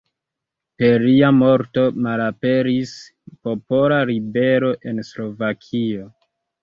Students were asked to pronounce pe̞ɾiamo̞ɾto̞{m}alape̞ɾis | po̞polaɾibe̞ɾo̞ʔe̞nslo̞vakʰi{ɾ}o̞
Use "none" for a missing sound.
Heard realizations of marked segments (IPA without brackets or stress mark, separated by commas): m, none